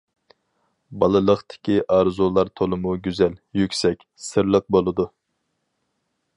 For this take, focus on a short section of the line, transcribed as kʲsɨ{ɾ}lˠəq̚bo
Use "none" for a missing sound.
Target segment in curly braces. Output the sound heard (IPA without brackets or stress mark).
ɾ